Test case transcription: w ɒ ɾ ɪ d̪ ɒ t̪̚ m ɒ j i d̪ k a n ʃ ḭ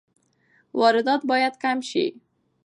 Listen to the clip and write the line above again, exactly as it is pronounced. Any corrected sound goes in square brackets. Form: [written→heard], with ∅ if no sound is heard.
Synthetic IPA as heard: w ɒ ɾ ɪ d̪ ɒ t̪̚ [m→b] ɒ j [i→a] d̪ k a [n→m] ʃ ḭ